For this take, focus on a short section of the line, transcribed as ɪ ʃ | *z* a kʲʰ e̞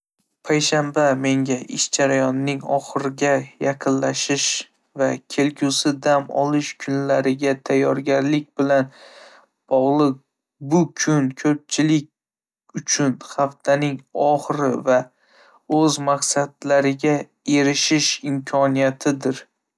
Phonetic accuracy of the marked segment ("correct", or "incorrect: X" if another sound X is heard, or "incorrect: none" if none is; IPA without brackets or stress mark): incorrect: v